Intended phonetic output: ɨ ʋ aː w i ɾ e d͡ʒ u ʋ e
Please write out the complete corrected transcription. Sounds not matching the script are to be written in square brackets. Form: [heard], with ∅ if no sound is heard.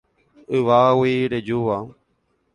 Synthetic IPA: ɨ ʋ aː w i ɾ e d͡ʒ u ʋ [a]